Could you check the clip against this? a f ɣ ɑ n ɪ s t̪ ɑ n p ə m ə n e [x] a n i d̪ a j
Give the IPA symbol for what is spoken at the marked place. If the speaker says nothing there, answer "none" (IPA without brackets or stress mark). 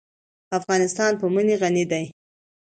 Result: ɣ